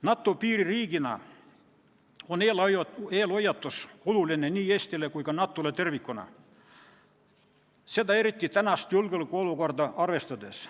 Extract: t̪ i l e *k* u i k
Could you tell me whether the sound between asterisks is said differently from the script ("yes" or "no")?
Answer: no